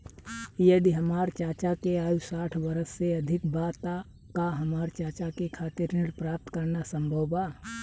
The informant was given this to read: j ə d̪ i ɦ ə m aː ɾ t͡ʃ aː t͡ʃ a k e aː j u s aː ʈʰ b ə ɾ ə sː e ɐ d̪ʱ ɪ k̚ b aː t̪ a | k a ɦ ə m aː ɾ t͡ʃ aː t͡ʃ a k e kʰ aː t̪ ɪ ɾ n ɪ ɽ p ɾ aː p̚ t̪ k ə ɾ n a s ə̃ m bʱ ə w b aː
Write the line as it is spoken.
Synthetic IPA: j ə d̪ i ɦ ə m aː ɾ t͡ʃ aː t͡ʃ a k e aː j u s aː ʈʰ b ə ɾ ə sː e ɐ d̪ʱ ɪ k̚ b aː t̪ a | k a ɦ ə m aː ɾ t͡ʃ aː t͡ʃ a k e kʰ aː t̪ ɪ ɾ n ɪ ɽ p ɾ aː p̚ t̪ k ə ɾ n a s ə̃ m bʱ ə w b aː